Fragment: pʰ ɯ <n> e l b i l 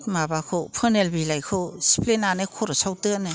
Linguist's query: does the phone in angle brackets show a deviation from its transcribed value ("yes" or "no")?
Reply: no